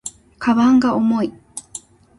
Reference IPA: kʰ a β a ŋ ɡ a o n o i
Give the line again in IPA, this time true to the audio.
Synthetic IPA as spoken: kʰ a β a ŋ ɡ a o m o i